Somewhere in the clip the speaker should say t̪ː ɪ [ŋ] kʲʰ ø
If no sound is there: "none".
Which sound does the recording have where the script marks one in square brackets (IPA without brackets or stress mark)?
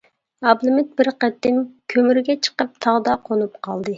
m